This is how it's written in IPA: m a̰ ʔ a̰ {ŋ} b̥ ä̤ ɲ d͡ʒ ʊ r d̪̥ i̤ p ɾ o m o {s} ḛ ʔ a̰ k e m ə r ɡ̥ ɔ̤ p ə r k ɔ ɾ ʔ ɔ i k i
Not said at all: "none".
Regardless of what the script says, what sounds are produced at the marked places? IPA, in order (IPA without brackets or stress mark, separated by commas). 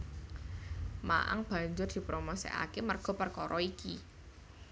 ŋ, s